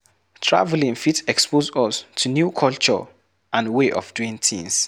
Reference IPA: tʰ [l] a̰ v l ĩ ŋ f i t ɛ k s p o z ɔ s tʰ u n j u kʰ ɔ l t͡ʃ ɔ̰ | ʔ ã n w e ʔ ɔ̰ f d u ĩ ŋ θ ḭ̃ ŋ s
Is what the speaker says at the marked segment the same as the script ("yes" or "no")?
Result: no